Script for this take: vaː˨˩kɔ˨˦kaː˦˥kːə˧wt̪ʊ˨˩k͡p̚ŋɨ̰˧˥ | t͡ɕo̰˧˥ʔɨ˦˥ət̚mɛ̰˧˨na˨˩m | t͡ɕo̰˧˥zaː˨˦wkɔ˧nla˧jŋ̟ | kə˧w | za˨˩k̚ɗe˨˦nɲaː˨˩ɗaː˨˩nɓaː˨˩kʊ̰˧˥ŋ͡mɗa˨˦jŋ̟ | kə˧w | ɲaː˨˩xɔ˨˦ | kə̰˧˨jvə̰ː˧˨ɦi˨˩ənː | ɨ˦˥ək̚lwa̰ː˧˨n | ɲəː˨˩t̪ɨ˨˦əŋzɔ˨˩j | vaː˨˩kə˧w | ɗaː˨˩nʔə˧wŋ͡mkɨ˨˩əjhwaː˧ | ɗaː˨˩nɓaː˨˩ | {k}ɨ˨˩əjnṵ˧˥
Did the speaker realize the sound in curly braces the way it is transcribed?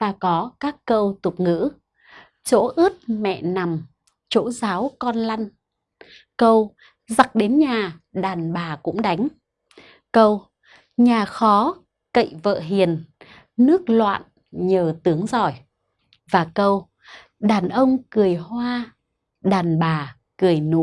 yes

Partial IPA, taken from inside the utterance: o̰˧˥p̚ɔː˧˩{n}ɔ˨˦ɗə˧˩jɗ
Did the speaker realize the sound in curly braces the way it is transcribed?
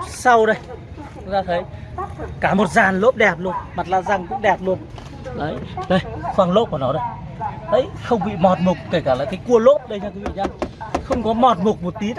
yes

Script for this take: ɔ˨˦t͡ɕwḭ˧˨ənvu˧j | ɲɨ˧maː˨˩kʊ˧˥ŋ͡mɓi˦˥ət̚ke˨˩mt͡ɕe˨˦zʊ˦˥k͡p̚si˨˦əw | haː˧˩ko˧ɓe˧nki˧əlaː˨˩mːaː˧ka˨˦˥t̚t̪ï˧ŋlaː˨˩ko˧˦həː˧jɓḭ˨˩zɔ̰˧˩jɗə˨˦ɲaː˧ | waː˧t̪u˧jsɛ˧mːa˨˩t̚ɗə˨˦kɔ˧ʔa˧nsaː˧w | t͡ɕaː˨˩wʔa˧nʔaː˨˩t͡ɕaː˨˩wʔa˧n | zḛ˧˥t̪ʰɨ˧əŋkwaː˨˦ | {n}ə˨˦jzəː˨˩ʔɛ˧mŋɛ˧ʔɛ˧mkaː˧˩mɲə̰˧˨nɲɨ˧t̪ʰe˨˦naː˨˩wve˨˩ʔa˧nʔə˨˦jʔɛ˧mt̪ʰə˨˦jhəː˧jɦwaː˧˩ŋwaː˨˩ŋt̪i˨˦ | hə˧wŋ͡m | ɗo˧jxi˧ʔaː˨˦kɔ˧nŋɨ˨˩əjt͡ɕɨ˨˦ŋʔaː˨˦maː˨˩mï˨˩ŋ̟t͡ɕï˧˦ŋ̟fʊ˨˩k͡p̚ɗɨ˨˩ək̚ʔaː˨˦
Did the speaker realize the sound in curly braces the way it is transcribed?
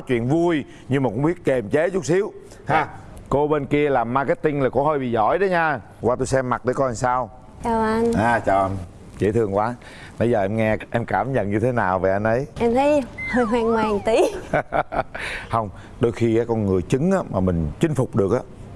yes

